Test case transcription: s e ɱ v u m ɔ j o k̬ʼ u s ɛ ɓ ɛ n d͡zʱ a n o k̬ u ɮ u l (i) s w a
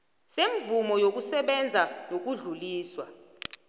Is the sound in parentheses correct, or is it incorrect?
incorrect